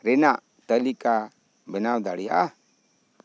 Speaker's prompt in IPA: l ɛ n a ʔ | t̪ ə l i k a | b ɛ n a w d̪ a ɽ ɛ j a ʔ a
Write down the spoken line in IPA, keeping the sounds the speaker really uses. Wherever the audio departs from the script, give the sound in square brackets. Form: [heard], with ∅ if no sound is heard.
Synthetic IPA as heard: [ɾ] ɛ n a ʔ | t̪ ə l i k a | b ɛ n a w d̪ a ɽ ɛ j a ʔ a